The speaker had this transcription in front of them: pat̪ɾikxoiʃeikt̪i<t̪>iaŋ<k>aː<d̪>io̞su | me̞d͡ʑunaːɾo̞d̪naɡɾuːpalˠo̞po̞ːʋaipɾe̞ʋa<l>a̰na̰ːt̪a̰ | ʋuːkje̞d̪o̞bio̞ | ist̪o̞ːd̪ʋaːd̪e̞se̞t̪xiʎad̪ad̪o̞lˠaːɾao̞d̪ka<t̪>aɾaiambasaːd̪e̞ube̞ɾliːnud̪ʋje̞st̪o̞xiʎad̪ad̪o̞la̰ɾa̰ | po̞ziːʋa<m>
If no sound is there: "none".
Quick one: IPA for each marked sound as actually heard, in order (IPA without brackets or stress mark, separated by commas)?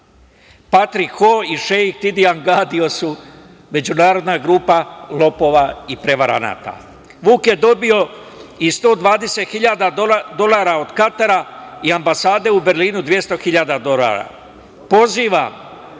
d̪, ɡ, d̪, ɾ, t̪, m